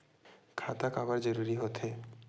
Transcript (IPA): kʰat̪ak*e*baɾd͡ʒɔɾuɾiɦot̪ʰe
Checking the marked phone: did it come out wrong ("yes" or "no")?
yes